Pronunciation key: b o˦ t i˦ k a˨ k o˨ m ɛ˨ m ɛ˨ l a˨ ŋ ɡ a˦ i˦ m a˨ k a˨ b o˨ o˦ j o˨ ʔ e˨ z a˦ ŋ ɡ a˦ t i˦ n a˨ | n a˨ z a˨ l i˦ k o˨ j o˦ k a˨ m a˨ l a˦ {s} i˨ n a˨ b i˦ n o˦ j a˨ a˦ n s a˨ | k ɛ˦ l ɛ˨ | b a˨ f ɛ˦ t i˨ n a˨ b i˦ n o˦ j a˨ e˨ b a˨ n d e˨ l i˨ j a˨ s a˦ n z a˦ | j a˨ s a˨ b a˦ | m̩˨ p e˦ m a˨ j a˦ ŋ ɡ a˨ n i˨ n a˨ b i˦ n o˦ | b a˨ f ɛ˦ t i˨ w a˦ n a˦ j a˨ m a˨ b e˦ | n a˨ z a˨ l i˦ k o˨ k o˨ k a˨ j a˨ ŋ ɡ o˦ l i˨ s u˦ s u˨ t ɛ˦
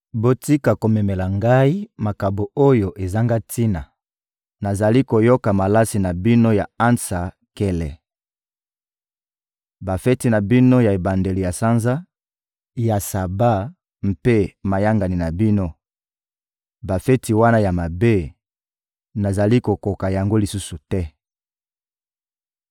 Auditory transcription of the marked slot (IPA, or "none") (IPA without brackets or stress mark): s